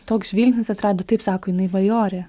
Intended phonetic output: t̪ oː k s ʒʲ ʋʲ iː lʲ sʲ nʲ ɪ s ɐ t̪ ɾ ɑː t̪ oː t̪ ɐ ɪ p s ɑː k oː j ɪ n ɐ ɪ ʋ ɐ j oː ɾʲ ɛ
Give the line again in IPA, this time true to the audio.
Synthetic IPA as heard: t̪ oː k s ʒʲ ʋʲ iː lʲ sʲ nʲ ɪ s ɐ t̪ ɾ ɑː d̪ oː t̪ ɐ ɪ p s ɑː k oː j ɪ n ɐ ɪ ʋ ɐ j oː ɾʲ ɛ